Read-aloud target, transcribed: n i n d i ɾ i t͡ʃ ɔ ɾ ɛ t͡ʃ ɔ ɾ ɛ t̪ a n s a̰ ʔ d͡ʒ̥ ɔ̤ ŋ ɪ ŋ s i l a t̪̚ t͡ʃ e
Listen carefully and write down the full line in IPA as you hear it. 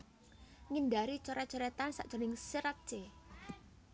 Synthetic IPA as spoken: ŋ i n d a ɾ i t͡ʃ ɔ ɾ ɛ t͡ʃ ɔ ɾ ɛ t̪ a n s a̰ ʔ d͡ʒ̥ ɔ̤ n ɪ ŋ s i ɾ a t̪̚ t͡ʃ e